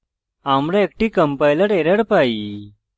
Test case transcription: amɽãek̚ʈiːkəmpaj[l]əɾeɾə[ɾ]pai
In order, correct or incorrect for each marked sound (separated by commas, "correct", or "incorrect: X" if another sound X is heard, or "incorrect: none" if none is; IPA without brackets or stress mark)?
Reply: correct, incorrect: ɽ